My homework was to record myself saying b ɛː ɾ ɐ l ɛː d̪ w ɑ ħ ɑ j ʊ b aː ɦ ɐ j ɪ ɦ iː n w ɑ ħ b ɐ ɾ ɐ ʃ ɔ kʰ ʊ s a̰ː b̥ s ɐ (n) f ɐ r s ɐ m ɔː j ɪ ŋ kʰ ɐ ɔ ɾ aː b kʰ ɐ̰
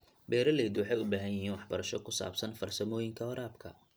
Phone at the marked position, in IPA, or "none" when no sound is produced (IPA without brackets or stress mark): n